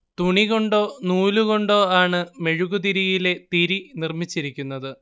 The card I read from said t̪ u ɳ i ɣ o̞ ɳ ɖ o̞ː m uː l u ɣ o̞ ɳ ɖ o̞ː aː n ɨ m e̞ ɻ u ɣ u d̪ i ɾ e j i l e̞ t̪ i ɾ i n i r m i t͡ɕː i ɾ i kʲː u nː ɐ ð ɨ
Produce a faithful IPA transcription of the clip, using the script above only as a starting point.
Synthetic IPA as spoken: t̪ u ɳ i ɣ o̞ ɳ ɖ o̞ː n uː l u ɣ o̞ ɳ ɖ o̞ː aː ɳ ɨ m e̞ ɻ u ɣ u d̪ i ɾ i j i l e̞ t̪ i ɾ i n i r m i t͡ɕː i ɾ i kʲː u nː ɐ ð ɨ